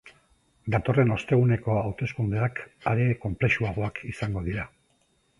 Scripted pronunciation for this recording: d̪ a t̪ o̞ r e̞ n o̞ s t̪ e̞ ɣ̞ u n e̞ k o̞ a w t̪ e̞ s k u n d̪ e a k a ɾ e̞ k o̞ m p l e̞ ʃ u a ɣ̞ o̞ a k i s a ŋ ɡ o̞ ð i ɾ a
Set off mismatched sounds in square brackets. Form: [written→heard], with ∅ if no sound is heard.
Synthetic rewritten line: d̪ a t̪ o̞ r e̞ n o̞ s t̪ e̞ ɣ̞ u n e̞ k o̞ a w t̪ e̞ s k u n d̪ e a k a ɾ e̞ k o̞ m p l e̞ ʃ u a ɣ̞ o̞ a k i s a ŋ ɡ o̞ ð i ɾ a